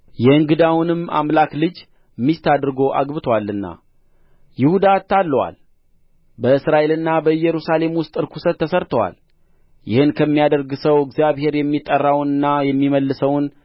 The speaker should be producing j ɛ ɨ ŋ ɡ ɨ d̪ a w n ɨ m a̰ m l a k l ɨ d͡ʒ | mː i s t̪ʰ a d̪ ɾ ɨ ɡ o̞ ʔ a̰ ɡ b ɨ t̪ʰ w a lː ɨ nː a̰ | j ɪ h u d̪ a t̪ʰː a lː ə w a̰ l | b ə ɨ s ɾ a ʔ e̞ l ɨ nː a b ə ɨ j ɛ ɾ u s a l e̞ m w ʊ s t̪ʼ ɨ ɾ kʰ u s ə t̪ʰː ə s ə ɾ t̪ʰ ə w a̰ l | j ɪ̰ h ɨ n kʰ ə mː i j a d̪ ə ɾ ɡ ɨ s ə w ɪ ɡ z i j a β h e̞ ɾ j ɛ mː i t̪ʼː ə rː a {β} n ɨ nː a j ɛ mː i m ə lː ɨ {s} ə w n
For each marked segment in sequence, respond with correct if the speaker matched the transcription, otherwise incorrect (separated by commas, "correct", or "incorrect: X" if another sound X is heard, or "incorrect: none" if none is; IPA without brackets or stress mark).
incorrect: w, correct